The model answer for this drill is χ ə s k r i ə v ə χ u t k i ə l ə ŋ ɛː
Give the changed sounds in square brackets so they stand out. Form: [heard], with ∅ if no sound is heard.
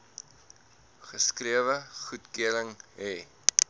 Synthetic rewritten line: χ ə s k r i ə v ə χ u t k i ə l ə ŋ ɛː